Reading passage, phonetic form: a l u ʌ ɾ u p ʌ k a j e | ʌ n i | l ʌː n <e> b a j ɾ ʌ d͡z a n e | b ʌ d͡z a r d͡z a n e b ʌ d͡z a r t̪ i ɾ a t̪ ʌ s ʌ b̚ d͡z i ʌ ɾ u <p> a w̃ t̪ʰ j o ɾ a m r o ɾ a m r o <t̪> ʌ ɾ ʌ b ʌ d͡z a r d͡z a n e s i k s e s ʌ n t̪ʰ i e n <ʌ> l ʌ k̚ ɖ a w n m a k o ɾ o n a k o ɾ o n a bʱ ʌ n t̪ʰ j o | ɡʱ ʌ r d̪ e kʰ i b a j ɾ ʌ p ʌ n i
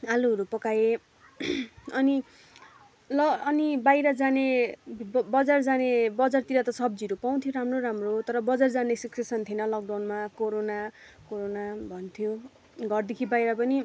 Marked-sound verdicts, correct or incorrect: incorrect: i, correct, correct, correct

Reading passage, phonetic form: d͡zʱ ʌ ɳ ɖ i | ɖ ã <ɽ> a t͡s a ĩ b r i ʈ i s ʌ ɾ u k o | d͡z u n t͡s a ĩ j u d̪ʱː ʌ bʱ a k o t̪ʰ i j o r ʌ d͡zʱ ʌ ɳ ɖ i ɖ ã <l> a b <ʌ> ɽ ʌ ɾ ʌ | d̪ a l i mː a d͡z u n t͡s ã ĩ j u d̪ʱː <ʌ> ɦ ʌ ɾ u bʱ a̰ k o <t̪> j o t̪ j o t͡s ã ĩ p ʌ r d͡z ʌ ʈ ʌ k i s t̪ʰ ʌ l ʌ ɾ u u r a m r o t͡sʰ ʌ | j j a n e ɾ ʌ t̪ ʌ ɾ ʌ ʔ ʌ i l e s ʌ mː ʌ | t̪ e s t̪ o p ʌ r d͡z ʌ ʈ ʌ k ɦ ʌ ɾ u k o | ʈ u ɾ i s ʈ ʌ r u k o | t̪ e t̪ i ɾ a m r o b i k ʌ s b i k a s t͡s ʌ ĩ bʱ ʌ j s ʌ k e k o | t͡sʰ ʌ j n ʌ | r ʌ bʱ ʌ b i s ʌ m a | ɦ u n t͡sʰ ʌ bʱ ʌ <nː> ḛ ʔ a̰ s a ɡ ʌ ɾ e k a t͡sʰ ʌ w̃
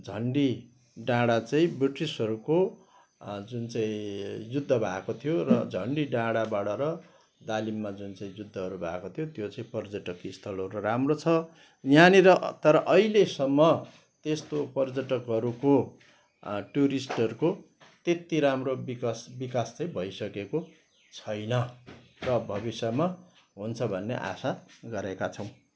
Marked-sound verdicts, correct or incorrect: correct, incorrect: ɽ, incorrect: a, correct, incorrect: t̪ʰ, correct

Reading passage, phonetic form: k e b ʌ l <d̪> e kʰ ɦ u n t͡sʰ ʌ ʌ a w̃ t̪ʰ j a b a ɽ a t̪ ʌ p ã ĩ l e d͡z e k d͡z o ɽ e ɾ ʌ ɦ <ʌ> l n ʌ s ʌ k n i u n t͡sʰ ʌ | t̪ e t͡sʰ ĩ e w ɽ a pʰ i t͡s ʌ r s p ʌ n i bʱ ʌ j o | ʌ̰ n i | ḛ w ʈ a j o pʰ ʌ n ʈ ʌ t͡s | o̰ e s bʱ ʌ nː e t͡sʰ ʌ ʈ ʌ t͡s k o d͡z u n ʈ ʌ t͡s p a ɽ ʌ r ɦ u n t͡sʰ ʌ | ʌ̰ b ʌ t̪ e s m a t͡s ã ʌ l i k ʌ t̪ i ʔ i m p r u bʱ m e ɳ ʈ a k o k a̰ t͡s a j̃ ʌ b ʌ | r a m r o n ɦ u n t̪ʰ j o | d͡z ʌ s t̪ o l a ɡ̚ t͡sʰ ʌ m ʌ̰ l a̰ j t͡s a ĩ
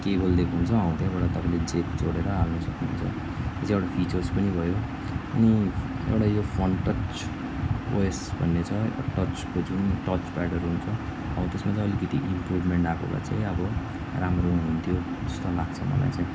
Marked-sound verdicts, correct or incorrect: correct, incorrect: a

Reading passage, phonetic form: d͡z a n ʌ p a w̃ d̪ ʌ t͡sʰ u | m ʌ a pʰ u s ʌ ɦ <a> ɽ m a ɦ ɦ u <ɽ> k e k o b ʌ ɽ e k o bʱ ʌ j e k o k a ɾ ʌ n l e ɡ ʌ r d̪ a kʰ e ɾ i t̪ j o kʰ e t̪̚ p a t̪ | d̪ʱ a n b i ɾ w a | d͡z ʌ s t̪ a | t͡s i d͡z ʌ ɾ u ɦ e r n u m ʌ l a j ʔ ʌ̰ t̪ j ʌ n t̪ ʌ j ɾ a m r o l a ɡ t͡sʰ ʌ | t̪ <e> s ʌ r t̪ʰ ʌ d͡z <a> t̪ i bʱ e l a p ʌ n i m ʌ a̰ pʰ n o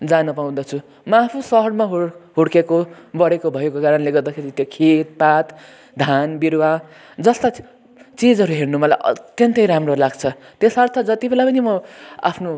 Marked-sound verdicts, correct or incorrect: incorrect: ʌ, correct, correct, incorrect: ʌ

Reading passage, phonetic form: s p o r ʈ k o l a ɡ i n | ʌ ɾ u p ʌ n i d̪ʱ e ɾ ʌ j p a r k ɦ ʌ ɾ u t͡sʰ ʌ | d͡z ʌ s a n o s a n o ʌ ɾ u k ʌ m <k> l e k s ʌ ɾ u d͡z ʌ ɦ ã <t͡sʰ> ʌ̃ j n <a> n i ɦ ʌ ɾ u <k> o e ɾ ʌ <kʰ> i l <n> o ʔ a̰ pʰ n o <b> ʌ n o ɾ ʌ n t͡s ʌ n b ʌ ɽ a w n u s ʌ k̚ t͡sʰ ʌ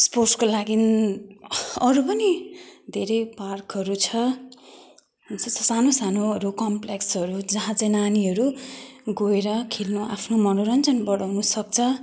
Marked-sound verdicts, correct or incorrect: incorrect: p, incorrect: t͡s, correct, incorrect: ɡ, correct, correct, incorrect: m

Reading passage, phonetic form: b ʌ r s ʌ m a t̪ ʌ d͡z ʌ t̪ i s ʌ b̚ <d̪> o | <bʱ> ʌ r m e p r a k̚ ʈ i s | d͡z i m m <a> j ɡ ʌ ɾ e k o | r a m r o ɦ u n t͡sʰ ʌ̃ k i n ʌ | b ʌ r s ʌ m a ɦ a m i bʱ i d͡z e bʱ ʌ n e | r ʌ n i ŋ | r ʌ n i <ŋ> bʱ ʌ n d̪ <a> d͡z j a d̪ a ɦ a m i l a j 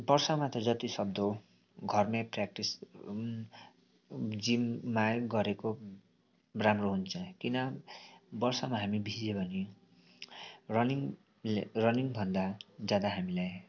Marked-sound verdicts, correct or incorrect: correct, incorrect: ɡʱ, correct, correct, correct

